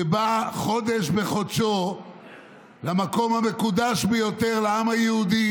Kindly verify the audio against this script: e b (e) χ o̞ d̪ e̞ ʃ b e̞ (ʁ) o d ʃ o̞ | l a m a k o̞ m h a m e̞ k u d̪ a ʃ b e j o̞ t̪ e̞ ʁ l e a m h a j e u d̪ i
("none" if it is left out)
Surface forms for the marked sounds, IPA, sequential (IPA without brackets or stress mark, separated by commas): a, χ